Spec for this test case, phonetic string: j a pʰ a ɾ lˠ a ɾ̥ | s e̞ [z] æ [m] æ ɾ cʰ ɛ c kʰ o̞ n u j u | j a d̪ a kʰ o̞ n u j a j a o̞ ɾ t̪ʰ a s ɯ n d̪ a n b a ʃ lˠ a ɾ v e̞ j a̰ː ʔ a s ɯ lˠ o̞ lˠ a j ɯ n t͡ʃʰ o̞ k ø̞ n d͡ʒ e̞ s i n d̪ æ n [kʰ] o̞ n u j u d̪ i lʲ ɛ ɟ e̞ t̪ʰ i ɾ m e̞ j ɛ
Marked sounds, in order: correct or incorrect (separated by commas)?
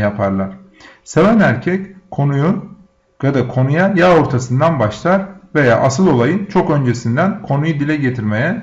incorrect, incorrect, correct